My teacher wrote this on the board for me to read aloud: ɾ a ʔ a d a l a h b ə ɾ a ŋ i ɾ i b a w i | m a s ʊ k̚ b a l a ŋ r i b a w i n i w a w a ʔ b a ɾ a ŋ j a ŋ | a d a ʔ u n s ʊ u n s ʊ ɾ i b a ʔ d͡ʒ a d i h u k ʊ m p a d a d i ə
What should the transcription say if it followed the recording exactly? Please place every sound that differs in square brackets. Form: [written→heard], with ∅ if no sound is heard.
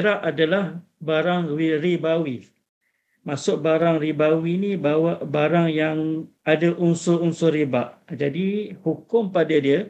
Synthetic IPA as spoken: ɾ a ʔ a d a l a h b [ə→a] ɾ a ŋ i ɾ i b a w i | m a s ʊ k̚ b a [l→ɾ] a ŋ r i b a w i n i [w→b] a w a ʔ b a ɾ a ŋ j a ŋ | a d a ʔ u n s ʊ u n s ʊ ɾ i b a ʔ d͡ʒ a d i h u k ʊ m p a d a d i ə